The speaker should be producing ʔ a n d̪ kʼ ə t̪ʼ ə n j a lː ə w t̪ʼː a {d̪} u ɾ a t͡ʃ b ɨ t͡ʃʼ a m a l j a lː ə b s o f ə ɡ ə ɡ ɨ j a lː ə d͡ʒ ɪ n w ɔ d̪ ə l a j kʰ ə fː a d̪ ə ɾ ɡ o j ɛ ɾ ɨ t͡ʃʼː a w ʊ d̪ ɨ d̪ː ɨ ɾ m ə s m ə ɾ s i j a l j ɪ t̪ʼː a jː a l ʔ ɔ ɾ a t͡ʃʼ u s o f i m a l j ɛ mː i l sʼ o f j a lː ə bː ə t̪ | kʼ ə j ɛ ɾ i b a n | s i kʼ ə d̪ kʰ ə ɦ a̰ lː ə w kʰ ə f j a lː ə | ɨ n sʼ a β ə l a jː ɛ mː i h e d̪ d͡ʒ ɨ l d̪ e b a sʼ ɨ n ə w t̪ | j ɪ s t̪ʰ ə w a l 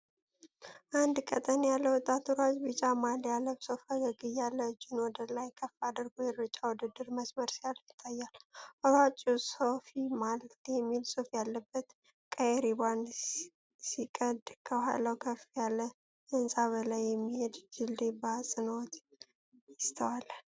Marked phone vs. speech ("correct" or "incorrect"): incorrect